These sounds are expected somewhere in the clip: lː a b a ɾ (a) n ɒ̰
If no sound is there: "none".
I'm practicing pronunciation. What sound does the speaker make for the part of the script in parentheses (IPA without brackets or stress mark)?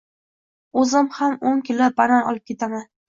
a